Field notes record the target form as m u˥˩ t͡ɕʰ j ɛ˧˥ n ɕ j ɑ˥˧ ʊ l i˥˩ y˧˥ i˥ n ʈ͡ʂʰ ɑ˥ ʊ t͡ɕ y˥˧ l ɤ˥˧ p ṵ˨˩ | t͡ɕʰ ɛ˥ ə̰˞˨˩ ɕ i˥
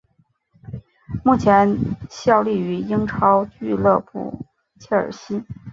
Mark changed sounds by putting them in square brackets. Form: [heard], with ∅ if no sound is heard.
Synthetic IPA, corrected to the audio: m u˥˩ t͡ɕʰ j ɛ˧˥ n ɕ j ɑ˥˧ ʊ l i˥˩ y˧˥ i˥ [ŋ] ʈ͡ʂʰ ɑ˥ ʊ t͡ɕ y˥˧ l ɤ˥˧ p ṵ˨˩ | t͡ɕʰ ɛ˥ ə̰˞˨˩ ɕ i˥